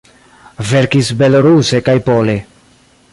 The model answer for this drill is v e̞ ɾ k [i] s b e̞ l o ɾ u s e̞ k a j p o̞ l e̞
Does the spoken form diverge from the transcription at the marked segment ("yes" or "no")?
no